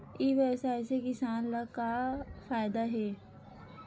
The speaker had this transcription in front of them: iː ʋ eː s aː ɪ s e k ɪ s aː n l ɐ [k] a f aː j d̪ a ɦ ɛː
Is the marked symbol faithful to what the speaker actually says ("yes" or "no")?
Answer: yes